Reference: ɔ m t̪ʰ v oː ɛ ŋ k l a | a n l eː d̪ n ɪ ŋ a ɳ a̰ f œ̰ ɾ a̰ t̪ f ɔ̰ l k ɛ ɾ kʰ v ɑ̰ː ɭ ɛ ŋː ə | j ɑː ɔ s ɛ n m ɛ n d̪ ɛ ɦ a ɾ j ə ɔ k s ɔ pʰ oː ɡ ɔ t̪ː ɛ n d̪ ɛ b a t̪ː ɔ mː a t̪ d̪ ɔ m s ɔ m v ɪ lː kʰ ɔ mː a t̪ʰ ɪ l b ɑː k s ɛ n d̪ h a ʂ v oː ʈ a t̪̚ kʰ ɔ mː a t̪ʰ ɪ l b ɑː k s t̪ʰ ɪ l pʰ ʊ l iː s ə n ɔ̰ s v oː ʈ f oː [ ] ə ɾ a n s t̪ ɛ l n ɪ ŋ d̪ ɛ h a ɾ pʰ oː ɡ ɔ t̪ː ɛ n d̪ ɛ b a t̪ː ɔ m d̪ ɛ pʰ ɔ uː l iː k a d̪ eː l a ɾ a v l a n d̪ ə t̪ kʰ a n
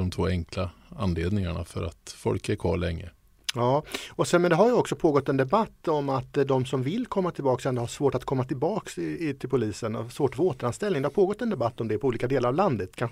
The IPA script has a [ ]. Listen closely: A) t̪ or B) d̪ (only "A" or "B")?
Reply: A